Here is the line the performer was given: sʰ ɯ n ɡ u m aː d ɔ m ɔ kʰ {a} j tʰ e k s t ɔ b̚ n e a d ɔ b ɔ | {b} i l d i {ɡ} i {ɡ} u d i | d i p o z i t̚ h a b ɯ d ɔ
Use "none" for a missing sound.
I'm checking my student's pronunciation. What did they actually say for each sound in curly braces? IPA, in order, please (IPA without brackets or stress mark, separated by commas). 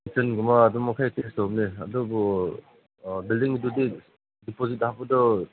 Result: a, b, ŋ, d